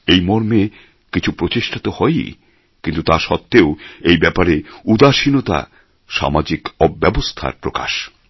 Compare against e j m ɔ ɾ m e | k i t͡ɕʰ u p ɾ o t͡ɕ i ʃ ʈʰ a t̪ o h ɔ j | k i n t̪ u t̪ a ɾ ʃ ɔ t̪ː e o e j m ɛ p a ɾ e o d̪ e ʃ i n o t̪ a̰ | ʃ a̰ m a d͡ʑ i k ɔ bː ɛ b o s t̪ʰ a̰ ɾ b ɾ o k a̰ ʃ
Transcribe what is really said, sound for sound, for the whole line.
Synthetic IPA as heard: e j m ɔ ɾ m e | k i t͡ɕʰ u p ɾ o t͡ɕ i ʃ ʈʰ a t̪ o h ɔ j | k i n t̪ u t̪ a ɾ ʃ ɔ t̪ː e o e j b ɛ p a ɾ e u d̪ a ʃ i n o t̪ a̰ | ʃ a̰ m a d͡ʑ i k ɔ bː ɛ b o s t̪ʰ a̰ ɾ p ɾ o k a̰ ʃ

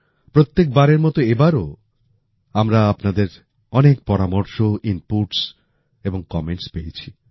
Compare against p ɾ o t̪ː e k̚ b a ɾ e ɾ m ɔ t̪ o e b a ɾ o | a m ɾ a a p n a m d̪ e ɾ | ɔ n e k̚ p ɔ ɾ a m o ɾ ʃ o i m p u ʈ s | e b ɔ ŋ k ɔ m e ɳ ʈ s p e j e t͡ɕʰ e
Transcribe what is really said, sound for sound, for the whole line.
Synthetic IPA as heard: p ɾ o t̪ː e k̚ b a ɾ e ɾ m ɔ t̪ o e b a ɾ o | a m ɾ a a p n a d̪ e ɾ | ɔ n e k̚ p ɔ ɾ a m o ɾ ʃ o i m p u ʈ s | e b o ŋ k ɔ m e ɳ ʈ s p e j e t͡ɕʰ i

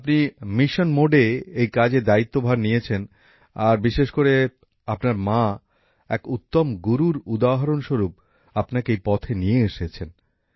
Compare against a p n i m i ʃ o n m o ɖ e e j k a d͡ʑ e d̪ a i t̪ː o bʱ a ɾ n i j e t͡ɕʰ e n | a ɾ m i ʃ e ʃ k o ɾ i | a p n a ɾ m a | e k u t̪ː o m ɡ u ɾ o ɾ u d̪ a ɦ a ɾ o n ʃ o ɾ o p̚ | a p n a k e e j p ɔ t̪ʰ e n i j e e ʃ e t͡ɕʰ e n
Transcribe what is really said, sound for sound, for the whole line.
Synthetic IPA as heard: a p n i m i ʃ o n m o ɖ e e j k a d͡ʑ e d̪ a i t̪ː o bʱ a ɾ n i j e t͡ɕʰ e n | a ɾ b i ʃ e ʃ k o ɾ e | a p n a ɾ m a | ɛ k u t̪ː o m ɡ u ɾ u ɾ u d̪ a ɦ a ɾ o n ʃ o ɾ u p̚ | a p n a k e e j p ɔ t̪ʰ e n i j e e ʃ e t͡ɕʰ e n

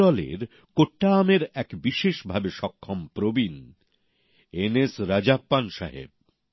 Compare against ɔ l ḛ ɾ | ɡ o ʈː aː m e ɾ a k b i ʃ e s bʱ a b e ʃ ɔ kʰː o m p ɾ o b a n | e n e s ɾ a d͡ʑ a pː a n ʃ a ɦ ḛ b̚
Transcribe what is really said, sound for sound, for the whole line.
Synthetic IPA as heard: ɔ l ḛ ɾ | k o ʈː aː m e ɾ ɛ k b i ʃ e ʃ bʱ a b e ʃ ɔ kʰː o m p ɾ o b i n | e n e s ɾ a d͡ʑ a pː a n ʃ a ɦ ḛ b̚

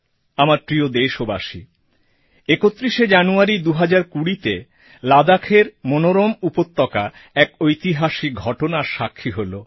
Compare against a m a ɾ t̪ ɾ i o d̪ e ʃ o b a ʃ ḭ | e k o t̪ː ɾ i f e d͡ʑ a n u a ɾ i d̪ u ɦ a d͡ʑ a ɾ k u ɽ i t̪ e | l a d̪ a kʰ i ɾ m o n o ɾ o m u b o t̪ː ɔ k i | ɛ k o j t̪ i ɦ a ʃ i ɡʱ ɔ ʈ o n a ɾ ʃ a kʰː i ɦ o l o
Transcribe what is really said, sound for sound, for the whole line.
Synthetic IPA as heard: a m a ɾ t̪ ɾ i o d̪ e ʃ o b a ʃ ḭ | e k o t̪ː ɾ i ʃ e d͡ʑ a n u a ɾ i d̪ u ɦ a d͡ʑ a ɾ k u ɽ i t̪ e | l a d̪ a kʰ e ɾ m o n o ɾ o m u p o t̪ː ɔ k a | ɛ k o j t̪ i ɦ a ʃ i ɡʱ ɔ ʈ o n a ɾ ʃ a kʰː i ɦ o l o

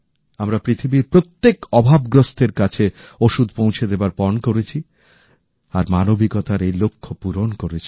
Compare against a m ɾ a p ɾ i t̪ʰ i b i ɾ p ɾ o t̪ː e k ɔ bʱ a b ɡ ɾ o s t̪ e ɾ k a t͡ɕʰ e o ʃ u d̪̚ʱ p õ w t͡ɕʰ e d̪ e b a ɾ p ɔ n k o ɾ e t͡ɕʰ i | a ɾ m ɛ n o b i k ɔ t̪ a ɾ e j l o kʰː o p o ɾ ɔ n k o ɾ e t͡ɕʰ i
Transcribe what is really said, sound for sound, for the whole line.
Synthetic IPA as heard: a m ɾ a p ɾ i t̪ʰ i b i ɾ p ɾ o t̪ː e k ɔ bʱ a b ɡ ɾ o s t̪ e ɾ k a t͡ɕʰ e o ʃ u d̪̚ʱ p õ w t͡ɕʰ e d̪ e b a ɾ p ɔ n k o ɾ e t͡ɕʰ i | a ɾ m a n o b i k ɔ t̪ a ɾ e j l o kʰː o p u ɾ o n k o ɾ e t͡ɕʰ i

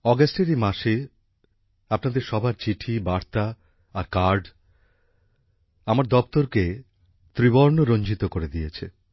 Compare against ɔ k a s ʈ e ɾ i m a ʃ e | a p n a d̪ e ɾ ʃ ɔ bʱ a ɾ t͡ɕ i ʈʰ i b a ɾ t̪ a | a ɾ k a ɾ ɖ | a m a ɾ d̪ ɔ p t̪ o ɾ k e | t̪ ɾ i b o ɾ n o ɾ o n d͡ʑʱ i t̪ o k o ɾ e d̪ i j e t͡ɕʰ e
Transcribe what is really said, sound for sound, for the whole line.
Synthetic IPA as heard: ɔ ɡ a s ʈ e ɾ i m a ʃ e | a p n a d̪ e ɾ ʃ ɔ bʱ a ɾ t͡ɕ i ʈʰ i b a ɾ t̪ a | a ɾ k a ɾ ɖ | a m a ɾ d̪ ɔ p t̪ o ɾ k e | t̪ ɾ i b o ɾ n o ɾ o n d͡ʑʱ i t̪ o k o ɾ e d̪ i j e t͡ɕʰ e

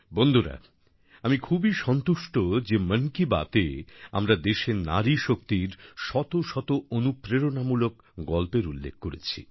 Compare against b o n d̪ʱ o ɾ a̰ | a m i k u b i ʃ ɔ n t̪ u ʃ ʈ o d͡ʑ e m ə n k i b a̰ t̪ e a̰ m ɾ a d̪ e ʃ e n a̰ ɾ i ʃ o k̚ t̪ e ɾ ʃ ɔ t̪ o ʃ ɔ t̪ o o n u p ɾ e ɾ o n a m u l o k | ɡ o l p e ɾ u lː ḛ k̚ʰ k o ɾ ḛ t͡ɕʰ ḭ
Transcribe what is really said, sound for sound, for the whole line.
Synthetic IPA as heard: b o n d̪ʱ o ɾ a̰ | a m i kʰ u b i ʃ ɔ n t̪ u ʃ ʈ o d͡ʑ e m ə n k i b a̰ t̪ e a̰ m ɾ a d̪ e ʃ e n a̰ ɾ i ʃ o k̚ t̪ i ɾ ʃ ɔ t̪ o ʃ ɔ t̪ o o n u p ɾ e ɾ o n a m u l o k | ɡ ɔ l p e ɾ u lː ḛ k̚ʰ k o ɾ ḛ t͡ɕʰ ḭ

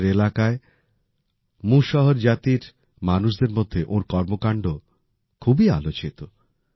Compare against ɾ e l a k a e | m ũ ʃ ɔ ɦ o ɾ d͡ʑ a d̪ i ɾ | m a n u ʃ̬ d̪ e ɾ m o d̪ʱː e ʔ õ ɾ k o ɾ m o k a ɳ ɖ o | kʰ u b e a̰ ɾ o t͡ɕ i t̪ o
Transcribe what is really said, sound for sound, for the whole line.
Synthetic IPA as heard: ɾ e l a k a e | m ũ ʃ ɔ ɦ o ɾ d͡ʑ a t̪ i ɾ | m a n u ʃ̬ d̪ e ɾ m o d̪ʱː e ʔ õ ɾ k ɔ ɾ m o k a ɳ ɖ o | kʰ u b i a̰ l o t͡ɕ i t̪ o

